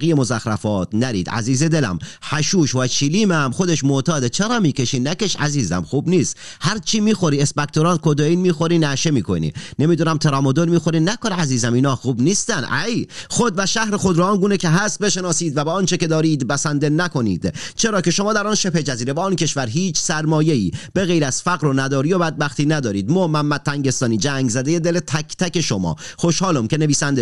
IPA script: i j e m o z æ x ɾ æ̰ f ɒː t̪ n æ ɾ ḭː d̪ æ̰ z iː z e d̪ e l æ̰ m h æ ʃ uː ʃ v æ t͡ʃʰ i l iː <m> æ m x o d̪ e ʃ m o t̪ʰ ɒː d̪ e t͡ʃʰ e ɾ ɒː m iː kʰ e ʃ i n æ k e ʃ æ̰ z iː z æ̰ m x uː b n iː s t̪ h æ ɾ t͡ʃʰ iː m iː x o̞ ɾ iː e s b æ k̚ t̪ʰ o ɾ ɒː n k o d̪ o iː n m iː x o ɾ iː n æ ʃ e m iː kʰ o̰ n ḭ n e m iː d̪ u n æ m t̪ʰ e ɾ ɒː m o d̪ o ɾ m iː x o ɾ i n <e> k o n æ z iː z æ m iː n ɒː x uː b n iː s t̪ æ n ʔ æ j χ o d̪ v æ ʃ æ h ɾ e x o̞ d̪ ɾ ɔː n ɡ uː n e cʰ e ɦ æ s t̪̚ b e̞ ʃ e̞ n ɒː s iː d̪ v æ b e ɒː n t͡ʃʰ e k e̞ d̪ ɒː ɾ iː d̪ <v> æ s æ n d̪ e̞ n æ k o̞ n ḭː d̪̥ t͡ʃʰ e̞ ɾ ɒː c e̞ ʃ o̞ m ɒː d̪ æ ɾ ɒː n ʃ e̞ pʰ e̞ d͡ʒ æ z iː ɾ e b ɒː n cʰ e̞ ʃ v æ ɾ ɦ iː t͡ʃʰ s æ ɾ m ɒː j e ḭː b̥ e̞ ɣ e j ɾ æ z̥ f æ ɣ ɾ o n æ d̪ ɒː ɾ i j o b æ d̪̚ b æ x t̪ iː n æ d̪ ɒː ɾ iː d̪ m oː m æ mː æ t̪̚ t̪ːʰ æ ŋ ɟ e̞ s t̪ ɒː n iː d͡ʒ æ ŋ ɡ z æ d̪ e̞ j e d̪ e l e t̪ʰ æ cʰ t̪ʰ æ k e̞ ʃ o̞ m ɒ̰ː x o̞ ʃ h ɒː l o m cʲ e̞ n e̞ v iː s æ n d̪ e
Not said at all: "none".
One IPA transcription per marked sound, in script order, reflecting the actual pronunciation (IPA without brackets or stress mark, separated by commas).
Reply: m, æ, b